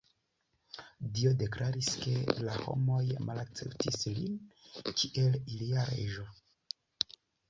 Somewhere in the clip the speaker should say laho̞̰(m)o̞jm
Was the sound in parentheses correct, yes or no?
yes